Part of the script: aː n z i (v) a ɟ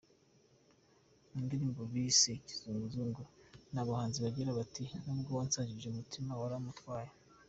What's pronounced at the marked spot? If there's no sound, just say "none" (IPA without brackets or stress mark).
β